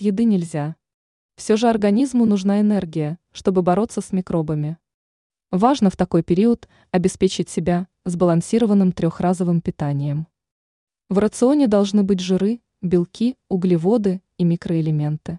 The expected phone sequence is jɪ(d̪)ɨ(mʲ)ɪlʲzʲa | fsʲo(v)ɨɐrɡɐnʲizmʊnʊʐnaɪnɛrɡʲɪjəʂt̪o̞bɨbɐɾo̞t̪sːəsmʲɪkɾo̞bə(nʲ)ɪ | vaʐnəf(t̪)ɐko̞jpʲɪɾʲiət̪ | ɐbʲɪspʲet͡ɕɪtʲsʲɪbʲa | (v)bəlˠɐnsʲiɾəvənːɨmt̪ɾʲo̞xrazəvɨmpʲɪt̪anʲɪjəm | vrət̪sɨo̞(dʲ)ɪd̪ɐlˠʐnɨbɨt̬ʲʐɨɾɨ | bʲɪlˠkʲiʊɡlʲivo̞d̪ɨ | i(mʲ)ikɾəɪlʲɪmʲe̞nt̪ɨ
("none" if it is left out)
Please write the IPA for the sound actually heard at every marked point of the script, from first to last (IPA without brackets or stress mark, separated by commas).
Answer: d̪, nʲ, ʐ, mʲ, t̪, z, nʲ, mʲ